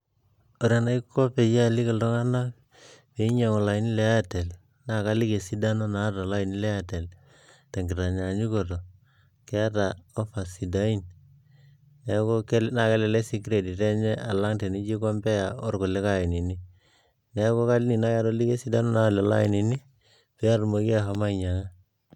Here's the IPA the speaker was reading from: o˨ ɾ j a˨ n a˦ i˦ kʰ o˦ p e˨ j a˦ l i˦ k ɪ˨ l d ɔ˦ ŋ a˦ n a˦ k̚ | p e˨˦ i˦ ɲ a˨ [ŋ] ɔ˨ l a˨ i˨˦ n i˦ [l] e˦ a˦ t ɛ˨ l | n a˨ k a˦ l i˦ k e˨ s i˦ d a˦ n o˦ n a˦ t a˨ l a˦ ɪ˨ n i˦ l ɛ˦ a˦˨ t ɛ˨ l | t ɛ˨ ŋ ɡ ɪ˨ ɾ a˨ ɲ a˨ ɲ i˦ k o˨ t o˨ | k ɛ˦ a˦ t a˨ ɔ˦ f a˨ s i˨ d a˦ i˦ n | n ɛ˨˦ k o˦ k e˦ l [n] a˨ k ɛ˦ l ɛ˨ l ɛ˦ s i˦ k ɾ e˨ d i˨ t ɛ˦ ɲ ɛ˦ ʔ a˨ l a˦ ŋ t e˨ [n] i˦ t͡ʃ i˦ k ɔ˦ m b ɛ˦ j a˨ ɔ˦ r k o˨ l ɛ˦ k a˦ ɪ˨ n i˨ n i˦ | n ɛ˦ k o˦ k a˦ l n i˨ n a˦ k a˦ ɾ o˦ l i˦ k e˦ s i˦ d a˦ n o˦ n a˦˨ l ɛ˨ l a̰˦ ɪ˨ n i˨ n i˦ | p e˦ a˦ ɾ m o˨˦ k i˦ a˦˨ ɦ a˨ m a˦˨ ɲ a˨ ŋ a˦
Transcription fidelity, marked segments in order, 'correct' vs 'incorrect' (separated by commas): correct, correct, correct, correct